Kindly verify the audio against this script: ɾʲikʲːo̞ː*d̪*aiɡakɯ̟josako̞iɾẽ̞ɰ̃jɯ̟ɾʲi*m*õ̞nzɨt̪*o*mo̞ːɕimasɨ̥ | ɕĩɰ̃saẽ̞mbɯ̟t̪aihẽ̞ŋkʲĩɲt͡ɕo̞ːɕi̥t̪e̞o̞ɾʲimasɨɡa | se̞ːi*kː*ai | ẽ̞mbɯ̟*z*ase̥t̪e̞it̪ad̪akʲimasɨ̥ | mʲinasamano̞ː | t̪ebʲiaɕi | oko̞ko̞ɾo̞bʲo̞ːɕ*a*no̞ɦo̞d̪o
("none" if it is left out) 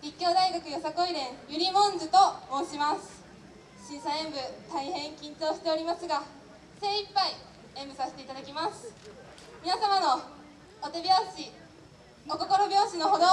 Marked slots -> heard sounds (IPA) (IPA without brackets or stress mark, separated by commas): d̪, m, o, pː, s, i